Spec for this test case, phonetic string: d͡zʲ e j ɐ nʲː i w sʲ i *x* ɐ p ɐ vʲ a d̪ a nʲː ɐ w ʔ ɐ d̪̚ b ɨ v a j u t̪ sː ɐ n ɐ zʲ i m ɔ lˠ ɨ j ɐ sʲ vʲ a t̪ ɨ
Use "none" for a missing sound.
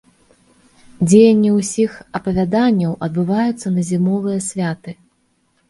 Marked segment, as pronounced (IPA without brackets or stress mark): x